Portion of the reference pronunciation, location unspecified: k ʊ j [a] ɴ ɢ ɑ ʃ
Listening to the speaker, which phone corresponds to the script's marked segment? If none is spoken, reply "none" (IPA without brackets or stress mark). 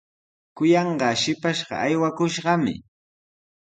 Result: ɑ